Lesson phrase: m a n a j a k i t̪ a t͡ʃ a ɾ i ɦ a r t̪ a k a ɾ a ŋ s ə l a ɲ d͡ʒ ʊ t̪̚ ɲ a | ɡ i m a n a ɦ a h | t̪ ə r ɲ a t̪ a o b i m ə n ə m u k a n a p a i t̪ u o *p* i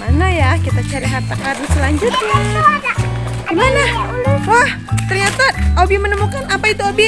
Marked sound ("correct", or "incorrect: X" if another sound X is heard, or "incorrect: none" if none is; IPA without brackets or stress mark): incorrect: b